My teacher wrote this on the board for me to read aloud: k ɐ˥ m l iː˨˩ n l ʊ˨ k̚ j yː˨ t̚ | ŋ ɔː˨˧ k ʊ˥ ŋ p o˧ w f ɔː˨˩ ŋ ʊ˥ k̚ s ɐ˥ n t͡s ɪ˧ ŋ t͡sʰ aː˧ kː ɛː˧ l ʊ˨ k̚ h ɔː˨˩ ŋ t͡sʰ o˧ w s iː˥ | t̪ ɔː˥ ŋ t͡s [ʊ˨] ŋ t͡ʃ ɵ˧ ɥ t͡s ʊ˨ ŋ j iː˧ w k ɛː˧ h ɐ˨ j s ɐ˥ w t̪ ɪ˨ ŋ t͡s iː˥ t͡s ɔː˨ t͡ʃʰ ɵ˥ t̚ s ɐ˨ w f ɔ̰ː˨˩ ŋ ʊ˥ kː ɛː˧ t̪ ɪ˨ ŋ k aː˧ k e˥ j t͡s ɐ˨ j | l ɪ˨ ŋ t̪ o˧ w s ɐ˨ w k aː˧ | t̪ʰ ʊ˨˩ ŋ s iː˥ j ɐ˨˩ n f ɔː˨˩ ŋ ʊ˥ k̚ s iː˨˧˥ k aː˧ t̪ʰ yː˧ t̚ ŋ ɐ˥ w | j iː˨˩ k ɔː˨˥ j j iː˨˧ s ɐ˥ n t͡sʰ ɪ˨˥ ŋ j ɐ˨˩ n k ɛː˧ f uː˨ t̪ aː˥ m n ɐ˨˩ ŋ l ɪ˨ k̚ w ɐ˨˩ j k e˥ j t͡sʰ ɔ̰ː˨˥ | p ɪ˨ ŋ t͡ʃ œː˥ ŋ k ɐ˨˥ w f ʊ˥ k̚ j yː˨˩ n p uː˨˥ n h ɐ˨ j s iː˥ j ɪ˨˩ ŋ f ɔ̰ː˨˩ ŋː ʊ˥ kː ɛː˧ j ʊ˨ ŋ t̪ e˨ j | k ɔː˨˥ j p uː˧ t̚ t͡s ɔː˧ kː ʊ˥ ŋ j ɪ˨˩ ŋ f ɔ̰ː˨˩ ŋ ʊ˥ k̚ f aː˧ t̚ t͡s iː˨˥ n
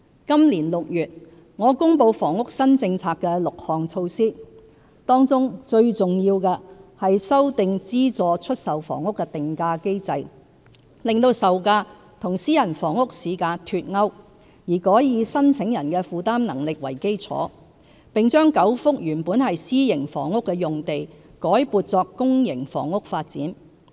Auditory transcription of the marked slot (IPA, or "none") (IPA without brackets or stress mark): ʊ˥